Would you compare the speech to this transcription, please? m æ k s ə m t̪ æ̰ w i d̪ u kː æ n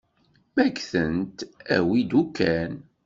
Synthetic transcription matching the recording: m æ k θ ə n t̪ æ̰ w i d̪ u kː æ n